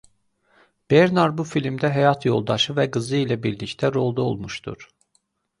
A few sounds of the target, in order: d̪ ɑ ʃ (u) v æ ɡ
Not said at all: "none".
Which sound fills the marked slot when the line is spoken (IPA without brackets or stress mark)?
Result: ɯ